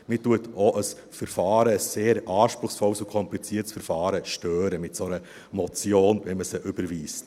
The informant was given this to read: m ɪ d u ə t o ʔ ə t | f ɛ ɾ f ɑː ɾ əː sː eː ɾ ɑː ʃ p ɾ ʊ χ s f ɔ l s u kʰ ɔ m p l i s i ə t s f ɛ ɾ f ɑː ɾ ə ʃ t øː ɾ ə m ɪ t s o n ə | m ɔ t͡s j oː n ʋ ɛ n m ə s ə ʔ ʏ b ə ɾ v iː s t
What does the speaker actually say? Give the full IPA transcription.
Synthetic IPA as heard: m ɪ t u ə t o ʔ ə s | f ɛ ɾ f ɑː ɾ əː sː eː ɾ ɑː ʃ p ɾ ʊ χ s f ɔ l s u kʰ ɔ m p l i t͡s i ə t s f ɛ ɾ f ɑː ɾ ə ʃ t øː ɾ ə m ɪ t s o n ə | m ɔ t͡s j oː n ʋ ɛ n m ə s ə ʔ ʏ b ə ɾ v iː s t